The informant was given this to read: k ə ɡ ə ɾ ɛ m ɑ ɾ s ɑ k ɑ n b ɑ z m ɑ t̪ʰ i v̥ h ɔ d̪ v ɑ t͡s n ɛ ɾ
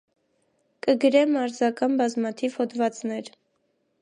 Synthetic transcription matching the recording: k ə ɡ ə ɾ ɛ m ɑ ɾ z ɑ k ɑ n b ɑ z m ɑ t̪ʰ i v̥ h ɔ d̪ v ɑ t͡s n ɛ ɾ